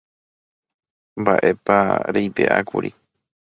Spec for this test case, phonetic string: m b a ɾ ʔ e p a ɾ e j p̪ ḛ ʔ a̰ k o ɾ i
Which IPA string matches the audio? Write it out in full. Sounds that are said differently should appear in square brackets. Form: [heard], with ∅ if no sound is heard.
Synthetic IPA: m b a [∅] ʔ e p a ɾ e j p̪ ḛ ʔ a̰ k [u] ɾ i

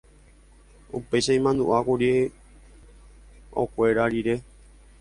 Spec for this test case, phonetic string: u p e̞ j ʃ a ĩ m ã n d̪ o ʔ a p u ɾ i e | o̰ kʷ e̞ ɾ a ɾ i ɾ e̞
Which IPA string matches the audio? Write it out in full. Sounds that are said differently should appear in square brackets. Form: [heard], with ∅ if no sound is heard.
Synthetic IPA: u p e̞ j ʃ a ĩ m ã n d̪ [u] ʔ a [k] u ɾ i e | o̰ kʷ e̞ ɾ a ɾ i ɾ e̞

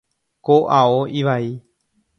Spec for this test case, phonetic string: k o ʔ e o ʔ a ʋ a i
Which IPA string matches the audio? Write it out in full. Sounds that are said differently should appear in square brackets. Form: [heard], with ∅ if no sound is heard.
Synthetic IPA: k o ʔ [a] o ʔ [i] ʋ a i

